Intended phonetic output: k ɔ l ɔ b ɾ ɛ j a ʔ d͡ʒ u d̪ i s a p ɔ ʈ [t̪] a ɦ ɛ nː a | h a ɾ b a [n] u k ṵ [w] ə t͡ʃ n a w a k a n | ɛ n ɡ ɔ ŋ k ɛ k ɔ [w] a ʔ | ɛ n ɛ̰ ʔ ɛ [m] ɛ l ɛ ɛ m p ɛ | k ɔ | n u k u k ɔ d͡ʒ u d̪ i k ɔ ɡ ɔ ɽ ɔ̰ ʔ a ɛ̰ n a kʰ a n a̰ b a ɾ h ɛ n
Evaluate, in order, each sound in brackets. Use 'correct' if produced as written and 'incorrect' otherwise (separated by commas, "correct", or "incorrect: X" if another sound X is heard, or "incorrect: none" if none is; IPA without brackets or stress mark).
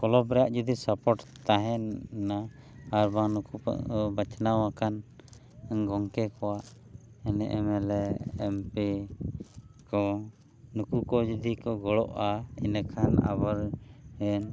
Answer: correct, correct, incorrect: b, correct, correct